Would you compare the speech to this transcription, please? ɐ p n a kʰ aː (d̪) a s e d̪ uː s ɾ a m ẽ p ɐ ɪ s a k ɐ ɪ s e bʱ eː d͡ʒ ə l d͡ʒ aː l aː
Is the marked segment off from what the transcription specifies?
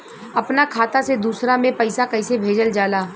yes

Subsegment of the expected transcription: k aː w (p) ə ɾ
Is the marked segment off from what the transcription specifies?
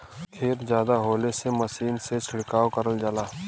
yes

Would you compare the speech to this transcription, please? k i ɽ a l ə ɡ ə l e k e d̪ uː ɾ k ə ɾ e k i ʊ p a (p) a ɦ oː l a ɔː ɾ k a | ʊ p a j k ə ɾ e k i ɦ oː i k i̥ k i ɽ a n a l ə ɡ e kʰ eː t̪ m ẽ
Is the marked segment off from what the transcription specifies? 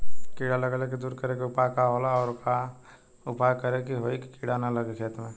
yes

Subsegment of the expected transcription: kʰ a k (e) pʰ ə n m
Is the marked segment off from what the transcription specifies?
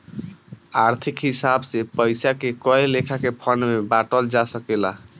no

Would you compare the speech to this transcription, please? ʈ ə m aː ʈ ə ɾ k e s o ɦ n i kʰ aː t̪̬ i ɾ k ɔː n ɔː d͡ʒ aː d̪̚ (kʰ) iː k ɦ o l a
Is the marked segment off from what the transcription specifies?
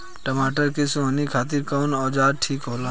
yes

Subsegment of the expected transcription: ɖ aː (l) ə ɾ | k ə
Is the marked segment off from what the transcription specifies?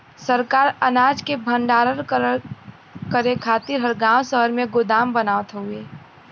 yes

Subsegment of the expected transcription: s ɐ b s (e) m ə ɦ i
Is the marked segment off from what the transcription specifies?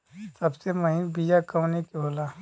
no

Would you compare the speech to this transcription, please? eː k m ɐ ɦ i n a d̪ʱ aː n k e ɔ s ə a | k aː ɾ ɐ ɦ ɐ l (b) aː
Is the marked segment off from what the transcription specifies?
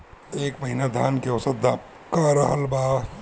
no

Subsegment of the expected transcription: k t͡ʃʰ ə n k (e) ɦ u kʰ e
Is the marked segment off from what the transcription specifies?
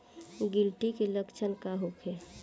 yes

